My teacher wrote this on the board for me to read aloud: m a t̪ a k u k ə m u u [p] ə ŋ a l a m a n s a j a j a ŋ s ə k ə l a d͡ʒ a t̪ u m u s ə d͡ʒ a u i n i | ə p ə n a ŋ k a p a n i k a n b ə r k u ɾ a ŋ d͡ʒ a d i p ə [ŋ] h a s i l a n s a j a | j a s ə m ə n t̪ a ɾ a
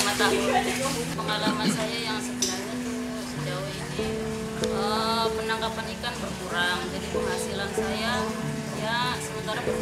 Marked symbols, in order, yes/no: yes, yes

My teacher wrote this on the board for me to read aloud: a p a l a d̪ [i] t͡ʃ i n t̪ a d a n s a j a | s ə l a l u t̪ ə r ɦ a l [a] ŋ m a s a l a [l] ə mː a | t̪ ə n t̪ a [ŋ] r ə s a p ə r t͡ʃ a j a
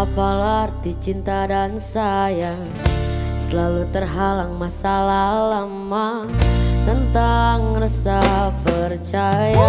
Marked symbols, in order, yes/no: yes, yes, yes, yes

